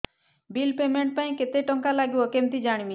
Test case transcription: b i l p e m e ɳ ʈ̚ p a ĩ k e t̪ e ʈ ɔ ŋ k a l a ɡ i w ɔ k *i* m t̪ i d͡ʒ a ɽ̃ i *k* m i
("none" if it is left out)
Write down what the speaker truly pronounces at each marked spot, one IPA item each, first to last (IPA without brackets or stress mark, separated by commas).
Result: e, none